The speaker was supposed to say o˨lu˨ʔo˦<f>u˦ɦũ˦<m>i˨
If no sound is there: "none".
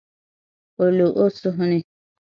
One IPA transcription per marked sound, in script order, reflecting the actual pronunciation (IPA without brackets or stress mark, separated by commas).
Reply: s, n